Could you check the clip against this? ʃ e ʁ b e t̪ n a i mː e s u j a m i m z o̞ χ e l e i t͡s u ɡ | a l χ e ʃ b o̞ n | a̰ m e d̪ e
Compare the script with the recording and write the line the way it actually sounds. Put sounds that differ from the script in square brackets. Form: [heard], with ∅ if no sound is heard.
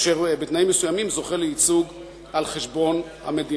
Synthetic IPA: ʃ e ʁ b e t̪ n a i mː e s u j a m i m z o̞ χ e l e i t͡s u ɡ | a l χ e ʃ b o̞ n | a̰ m e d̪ [i]